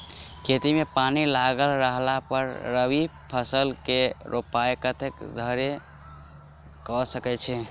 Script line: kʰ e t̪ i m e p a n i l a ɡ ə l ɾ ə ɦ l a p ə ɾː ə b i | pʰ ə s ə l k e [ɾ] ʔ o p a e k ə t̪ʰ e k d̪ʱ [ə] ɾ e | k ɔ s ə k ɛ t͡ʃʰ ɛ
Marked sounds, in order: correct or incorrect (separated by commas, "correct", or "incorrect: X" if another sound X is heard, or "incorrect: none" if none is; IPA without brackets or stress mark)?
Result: correct, correct